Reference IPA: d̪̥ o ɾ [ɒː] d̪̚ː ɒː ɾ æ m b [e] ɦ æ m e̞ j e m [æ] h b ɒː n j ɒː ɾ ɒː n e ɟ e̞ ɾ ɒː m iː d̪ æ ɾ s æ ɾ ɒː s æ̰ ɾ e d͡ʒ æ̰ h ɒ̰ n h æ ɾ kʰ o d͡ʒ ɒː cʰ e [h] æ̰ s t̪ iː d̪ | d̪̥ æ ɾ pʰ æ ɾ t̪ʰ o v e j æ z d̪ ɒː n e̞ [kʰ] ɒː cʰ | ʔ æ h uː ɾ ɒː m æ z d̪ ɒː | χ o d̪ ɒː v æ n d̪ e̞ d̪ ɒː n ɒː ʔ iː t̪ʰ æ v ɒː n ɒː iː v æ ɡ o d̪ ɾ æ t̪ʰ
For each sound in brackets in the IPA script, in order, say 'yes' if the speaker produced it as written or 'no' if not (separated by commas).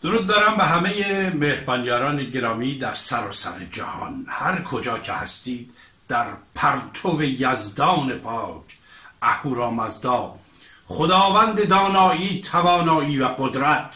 no, yes, no, yes, no